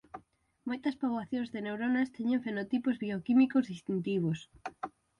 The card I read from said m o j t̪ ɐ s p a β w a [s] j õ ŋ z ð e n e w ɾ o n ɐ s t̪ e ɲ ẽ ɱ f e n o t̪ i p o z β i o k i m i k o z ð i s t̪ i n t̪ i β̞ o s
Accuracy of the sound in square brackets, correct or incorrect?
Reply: incorrect